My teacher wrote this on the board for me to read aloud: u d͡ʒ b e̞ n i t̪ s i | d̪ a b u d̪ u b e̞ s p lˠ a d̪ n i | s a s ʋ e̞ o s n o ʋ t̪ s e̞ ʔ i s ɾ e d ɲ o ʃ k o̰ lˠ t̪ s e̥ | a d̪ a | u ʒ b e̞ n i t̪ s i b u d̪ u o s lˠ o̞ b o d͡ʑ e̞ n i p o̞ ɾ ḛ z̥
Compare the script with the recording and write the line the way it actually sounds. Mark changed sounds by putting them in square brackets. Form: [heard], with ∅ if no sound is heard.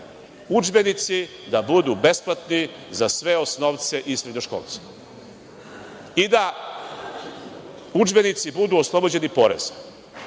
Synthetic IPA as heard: u d͡ʒ b e̞ n i t̪ s i | d̪ a b u d̪ u b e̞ s p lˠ a [t̪] n i | [z] a s ʋ e̞ o s n o ʋ t̪ s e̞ ʔ i s ɾ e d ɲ o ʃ k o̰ lˠ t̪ s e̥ | [i] d̪ a | u [d͡ʒ] b e̞ n i t̪ s i b u d̪ u o s lˠ o̞ b o d͡ʑ e̞ n i p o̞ ɾ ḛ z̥